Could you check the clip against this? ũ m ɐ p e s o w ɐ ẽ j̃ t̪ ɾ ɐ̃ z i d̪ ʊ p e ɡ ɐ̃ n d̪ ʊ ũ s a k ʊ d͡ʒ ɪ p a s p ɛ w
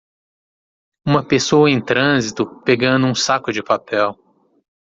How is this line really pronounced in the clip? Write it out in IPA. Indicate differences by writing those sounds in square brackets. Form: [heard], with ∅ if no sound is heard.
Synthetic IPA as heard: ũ m ɐ p e s o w ɐ ẽ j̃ t̪ ɾ ɐ̃ z i [t̪] ʊ p e ɡ ɐ̃ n d̪ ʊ ũ s a k ʊ d͡ʒ ɪ p a [∅] p ɛ w